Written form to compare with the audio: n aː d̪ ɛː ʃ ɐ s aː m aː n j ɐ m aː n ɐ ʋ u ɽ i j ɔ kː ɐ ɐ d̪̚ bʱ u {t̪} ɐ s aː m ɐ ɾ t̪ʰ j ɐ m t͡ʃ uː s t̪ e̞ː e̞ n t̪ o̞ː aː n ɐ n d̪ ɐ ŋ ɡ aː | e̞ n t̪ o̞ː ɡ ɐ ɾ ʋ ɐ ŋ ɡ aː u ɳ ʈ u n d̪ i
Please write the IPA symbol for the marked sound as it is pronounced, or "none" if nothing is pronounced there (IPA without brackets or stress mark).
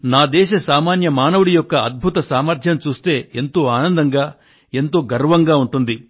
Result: t̪